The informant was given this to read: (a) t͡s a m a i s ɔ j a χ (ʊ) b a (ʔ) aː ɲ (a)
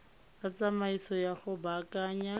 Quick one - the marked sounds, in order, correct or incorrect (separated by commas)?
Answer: correct, correct, incorrect, correct